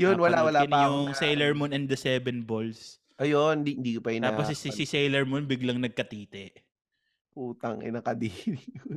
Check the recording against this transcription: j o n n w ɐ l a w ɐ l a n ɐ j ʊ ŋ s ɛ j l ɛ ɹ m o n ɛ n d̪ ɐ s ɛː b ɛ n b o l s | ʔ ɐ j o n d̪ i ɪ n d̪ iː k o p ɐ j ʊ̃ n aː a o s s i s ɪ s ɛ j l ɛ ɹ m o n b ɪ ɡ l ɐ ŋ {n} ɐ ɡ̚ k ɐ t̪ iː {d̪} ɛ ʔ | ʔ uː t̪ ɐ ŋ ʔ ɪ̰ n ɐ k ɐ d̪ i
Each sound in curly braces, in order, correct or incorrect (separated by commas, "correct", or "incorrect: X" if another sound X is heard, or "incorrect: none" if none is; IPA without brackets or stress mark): correct, incorrect: t̪